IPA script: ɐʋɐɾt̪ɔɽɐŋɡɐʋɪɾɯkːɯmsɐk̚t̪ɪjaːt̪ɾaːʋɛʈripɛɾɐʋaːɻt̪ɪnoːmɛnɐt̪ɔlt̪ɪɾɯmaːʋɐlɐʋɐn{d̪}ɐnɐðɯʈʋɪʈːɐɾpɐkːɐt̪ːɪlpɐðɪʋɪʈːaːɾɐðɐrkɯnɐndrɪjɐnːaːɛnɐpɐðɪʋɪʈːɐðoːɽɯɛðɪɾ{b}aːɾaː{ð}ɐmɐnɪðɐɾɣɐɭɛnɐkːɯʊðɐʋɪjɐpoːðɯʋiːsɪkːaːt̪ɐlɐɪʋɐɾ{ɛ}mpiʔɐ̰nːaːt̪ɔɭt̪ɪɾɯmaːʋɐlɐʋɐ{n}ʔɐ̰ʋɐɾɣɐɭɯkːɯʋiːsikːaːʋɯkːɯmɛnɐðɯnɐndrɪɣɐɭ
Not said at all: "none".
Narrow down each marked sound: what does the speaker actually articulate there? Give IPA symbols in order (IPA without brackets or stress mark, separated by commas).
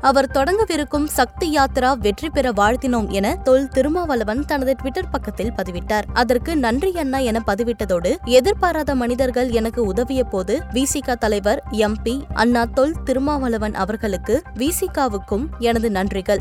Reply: t̪, p, ð, ɛ, n